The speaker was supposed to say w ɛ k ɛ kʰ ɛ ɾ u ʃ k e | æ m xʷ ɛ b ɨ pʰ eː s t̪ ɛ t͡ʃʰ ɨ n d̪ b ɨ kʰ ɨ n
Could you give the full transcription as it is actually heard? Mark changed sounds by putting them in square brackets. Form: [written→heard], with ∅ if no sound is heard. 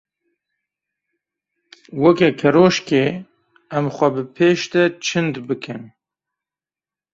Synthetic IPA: w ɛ k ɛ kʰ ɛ ɾ [u→o] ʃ k e | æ m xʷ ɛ b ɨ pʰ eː [s→ʃ] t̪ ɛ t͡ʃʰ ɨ n d̪ b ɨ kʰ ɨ n